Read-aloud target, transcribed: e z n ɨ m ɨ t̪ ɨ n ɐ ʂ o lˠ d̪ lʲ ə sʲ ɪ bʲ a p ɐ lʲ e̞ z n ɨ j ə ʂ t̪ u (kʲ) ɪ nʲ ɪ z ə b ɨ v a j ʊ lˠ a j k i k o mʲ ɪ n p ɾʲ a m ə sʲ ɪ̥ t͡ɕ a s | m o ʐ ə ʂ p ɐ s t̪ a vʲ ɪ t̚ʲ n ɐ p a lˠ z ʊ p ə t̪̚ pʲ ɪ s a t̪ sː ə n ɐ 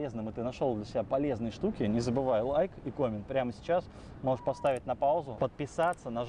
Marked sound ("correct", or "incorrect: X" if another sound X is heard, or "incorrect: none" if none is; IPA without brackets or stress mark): correct